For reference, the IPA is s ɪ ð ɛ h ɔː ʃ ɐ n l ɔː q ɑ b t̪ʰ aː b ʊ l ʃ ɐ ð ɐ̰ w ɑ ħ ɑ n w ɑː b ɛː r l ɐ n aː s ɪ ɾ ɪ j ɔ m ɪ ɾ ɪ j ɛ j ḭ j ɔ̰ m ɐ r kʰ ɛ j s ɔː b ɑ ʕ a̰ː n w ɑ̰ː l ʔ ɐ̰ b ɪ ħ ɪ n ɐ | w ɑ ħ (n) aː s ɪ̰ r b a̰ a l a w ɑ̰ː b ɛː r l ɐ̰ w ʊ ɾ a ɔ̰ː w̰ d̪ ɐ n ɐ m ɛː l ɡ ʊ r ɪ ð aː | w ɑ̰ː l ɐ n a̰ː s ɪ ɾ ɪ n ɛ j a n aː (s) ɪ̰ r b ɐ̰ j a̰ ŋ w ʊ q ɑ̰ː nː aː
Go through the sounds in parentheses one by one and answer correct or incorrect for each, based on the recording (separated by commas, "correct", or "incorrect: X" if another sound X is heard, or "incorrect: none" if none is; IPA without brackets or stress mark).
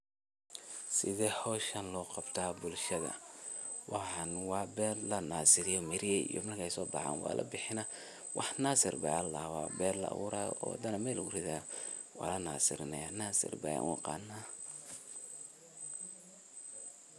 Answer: correct, correct